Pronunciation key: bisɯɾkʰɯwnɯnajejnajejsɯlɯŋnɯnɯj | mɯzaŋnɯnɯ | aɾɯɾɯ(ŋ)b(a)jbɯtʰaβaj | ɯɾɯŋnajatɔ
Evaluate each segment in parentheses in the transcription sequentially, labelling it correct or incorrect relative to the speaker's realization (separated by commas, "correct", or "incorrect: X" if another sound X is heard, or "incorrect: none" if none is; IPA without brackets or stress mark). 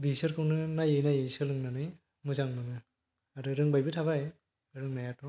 correct, correct